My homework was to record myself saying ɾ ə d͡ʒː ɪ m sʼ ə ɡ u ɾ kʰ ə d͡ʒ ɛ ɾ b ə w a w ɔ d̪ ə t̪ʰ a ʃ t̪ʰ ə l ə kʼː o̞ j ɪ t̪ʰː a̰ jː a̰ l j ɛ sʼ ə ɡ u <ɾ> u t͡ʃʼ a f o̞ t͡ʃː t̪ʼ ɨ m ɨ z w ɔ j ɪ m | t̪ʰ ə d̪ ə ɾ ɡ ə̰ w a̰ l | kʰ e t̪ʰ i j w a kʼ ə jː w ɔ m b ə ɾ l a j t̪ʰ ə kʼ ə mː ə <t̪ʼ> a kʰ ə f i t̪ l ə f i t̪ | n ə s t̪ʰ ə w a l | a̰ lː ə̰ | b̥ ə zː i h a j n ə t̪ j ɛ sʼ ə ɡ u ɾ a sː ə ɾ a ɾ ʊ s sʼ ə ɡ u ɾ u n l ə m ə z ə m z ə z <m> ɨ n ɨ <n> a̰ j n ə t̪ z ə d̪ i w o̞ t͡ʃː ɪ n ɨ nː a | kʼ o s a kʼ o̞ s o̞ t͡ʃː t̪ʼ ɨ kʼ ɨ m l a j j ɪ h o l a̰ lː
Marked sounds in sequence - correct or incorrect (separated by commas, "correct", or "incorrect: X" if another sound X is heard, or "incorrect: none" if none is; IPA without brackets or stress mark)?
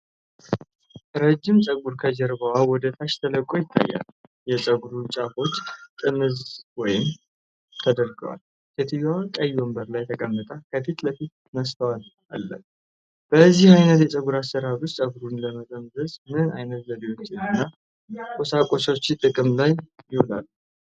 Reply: correct, correct, correct, correct